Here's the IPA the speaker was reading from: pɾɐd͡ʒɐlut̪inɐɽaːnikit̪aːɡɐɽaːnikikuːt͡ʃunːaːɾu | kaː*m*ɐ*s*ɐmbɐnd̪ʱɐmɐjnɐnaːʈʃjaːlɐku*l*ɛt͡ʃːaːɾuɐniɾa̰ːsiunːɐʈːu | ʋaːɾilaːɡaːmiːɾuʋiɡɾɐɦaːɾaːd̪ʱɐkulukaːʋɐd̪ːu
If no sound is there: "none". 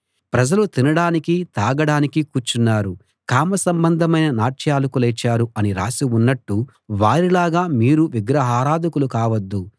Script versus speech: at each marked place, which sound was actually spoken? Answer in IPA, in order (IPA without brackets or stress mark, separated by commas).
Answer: m, s, l